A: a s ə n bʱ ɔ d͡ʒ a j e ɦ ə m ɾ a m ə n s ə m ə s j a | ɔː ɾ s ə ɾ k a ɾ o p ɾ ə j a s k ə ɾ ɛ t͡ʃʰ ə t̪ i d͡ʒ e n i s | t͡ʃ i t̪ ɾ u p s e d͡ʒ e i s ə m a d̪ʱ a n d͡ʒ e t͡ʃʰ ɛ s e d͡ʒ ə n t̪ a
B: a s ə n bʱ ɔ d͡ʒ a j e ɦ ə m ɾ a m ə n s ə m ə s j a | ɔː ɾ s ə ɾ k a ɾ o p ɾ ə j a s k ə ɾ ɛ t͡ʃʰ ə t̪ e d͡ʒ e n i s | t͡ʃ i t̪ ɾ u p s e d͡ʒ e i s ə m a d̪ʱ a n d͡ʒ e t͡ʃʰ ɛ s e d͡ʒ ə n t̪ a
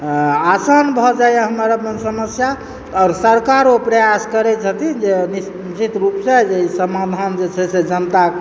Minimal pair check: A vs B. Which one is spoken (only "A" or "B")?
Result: A